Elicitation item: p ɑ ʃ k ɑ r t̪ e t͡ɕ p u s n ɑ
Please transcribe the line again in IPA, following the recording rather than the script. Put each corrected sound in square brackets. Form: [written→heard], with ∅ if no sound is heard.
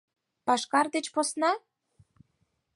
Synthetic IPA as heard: p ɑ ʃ k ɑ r [t̪→d̪] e t͡ɕ p [u→o] s n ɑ